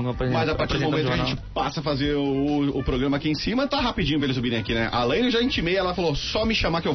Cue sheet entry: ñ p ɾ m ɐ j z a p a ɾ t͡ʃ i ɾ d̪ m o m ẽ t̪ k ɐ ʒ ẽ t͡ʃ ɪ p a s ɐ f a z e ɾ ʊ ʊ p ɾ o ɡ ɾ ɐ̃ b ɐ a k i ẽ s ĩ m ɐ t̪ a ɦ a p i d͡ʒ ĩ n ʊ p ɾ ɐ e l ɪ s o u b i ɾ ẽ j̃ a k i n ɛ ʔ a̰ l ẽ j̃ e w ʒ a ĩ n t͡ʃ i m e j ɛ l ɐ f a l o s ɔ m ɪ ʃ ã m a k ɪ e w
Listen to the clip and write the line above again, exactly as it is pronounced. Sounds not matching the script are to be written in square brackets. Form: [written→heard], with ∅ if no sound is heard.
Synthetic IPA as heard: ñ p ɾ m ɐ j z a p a ɾ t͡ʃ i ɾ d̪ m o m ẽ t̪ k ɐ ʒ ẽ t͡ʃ ɪ p a s ɐ f a z e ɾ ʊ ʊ p ɾ o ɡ ɾ ɐ̃ [b→m] ɐ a k i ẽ s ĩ m ɐ t̪ a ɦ a p i d͡ʒ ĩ [n→ɲ] ʊ p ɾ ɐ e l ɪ s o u b i ɾ ẽ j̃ a k i n ɛ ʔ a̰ l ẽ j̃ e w ʒ a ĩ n t͡ʃ i m e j ɛ l ɐ f a l o s ɔ m ɪ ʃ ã m a k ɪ e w